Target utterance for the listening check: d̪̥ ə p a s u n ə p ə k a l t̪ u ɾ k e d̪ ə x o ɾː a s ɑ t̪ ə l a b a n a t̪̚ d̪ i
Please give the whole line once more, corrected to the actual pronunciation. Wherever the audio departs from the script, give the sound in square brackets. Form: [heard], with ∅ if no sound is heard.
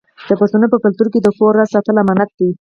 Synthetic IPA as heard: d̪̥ ə p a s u n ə p ə k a l t̪ u ɾ k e d̪ ə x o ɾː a s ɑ t̪ ə l a [m] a n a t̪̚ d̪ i